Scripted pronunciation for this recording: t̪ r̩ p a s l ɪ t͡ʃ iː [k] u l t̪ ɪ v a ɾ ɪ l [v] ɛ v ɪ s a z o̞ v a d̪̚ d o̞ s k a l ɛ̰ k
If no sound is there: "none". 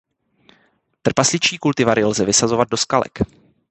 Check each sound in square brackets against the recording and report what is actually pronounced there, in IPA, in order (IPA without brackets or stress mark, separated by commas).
k, z